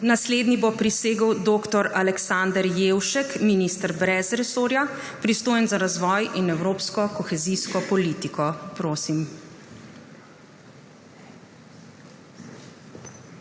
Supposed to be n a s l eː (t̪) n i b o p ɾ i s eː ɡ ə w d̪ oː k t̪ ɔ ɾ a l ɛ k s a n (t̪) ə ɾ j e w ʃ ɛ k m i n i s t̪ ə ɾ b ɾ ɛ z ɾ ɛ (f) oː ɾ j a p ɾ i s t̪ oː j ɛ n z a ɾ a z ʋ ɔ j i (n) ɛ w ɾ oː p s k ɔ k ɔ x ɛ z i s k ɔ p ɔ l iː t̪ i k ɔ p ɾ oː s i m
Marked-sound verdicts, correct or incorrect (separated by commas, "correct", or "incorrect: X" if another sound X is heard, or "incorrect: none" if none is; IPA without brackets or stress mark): incorrect: d̪, incorrect: d̪, incorrect: s, correct